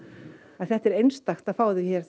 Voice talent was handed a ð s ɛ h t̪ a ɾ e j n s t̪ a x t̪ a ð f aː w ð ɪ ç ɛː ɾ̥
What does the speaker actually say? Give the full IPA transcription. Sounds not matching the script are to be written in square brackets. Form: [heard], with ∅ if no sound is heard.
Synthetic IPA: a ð [θ] ɛ h t̪ [ɛ] ɾ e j n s t̪ a x t̪ a ð f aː w ð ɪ ç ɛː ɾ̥